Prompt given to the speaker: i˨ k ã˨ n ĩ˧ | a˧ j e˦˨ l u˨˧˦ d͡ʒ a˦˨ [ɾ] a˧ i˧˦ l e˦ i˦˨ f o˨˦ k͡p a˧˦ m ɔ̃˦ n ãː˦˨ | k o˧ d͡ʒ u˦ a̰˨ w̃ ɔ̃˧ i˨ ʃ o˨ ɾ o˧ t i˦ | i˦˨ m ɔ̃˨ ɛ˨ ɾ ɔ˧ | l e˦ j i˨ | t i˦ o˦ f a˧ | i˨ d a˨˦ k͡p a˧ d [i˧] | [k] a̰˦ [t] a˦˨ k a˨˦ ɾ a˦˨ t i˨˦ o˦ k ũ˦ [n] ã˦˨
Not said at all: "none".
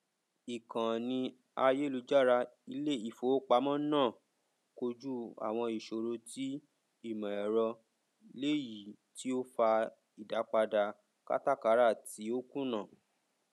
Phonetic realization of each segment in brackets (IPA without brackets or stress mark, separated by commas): ɾ, a˧, k, t, n